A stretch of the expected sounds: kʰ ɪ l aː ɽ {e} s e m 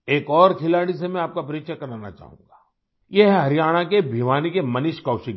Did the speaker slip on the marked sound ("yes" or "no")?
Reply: yes